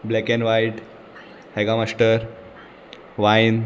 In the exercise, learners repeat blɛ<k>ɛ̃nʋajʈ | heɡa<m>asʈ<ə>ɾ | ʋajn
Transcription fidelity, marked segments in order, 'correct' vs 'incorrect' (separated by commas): correct, correct, correct